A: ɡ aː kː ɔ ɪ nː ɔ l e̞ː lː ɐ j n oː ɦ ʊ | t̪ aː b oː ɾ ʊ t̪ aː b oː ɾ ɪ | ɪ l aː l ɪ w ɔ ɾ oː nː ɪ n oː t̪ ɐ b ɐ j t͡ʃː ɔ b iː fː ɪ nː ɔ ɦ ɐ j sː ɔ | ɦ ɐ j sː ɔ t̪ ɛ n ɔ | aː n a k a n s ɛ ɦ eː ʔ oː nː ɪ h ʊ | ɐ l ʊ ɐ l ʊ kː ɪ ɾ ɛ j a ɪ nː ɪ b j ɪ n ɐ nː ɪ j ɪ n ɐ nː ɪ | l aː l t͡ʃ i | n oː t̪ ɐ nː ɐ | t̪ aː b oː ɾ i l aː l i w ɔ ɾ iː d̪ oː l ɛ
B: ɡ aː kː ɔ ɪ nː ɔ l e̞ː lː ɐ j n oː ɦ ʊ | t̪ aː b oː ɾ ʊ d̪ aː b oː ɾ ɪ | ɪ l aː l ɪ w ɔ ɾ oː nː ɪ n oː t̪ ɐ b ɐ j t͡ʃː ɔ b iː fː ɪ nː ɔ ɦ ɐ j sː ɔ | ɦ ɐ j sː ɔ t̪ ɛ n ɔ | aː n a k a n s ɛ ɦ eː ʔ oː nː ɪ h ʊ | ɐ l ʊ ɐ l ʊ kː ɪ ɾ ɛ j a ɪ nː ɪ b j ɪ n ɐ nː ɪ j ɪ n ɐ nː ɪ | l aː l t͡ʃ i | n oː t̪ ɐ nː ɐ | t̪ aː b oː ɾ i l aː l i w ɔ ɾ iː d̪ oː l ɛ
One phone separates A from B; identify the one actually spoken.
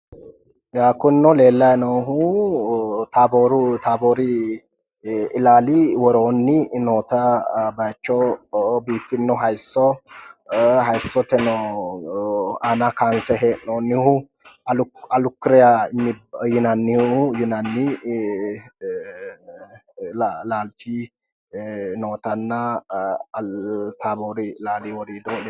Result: A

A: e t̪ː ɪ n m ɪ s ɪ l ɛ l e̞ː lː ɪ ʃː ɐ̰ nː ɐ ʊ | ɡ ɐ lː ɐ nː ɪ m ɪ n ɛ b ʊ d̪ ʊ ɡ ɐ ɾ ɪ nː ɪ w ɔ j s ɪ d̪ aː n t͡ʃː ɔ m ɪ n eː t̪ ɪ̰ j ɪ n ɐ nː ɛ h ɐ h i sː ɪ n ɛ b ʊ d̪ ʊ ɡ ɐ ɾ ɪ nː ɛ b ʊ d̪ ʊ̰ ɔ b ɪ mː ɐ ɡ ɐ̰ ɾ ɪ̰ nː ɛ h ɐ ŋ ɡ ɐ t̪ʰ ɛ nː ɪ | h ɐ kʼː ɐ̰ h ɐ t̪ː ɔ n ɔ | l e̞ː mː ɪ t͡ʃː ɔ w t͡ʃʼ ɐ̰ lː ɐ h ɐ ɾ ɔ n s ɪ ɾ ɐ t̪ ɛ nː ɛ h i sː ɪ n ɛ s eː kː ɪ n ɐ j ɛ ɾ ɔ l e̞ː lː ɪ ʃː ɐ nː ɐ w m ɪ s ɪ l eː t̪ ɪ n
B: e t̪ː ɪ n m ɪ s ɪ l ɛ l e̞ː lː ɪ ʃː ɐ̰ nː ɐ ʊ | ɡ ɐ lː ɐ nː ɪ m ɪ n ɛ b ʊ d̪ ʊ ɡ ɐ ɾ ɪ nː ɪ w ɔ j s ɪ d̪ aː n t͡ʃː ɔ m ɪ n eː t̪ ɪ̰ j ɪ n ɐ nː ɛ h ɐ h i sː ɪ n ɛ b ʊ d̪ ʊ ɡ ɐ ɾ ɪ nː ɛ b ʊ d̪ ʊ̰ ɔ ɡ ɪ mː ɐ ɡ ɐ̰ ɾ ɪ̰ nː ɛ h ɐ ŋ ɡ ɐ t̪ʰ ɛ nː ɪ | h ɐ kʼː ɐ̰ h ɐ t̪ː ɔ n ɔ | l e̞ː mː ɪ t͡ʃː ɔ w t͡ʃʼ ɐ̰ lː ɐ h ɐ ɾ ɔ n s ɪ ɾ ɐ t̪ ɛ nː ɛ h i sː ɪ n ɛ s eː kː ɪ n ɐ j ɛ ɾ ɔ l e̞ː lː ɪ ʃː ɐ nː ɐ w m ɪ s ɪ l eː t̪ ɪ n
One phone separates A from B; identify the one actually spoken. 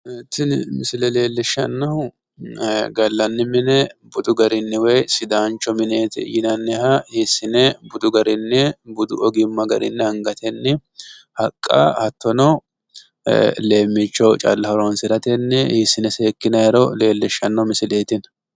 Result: B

